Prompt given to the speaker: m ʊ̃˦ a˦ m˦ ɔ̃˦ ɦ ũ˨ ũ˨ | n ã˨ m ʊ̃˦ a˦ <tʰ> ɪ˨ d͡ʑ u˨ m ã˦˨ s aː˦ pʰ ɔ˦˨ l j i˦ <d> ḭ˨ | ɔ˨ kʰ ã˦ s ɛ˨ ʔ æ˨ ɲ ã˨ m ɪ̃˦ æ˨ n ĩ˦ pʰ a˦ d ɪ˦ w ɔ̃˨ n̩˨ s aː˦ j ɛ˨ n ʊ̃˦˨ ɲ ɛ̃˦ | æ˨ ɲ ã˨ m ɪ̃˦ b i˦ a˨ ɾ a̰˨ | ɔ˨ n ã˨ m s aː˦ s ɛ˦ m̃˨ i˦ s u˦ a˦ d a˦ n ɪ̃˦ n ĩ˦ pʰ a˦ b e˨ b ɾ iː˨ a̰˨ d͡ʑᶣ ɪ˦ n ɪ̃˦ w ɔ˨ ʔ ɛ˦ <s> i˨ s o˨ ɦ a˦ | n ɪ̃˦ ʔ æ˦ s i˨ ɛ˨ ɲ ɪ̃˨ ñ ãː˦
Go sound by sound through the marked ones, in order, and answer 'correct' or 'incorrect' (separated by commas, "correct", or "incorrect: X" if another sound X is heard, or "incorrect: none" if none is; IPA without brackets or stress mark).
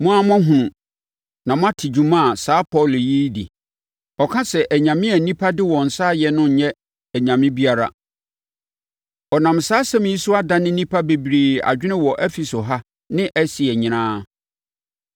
correct, correct, incorrect: f